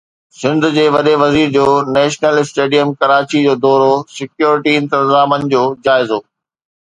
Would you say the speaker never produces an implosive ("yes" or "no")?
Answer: no